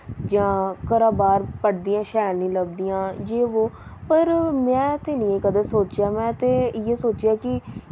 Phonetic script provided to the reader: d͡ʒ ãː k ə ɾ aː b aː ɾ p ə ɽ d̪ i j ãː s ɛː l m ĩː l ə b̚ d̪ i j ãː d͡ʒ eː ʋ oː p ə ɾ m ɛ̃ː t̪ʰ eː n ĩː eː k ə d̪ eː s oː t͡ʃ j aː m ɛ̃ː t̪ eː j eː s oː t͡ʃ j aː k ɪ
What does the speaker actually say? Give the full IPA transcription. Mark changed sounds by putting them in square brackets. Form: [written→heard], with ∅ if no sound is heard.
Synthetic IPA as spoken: d͡ʒ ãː k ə ɾ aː b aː ɾ p ə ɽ d̪ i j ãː [s→ʃ] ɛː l [m→n] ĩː l ə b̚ d̪ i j ãː d͡ʒ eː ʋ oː p ə ɾ m ɛ̃ː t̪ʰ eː n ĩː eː k ə d̪ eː s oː t͡ʃ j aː m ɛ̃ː t̪ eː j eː s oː t͡ʃ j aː k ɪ